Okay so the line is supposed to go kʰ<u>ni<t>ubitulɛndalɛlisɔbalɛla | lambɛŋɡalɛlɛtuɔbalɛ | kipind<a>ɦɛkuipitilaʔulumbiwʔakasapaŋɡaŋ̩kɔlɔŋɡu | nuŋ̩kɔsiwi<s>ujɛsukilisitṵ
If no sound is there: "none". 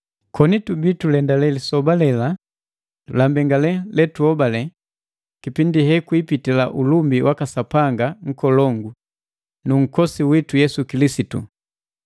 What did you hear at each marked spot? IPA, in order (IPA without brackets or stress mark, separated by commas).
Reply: ɔ, t, i, t